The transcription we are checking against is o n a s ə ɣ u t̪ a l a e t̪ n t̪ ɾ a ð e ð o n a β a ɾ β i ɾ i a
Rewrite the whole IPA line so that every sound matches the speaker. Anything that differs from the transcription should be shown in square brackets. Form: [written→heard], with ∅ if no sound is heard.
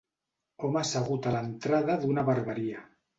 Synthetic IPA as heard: o [n→m] a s [ə→a] ɣ u t̪ a l a e [t̪→∅] n t̪ ɾ a ð [e→a] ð [o→u] n a β a ɾ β [i→a] ɾ i a